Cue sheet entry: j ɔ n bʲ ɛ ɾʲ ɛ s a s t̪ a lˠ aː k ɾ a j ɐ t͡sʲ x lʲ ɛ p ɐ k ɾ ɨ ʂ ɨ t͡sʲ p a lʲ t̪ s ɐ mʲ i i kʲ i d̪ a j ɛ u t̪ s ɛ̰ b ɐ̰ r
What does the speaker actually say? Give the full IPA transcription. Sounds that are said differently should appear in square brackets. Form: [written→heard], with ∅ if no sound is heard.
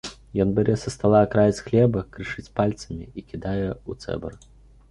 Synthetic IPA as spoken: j ɔ n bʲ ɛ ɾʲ ɛ s [a→ɐ] s t̪ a lˠ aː k ɾ a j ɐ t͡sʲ x lʲ ɛ [p→b] ɐ k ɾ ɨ ʂ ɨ t͡sʲ p a lʲ t̪ s ɐ mʲ i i kʲ i d̪ a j ɛ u t̪ s ɛ̰ b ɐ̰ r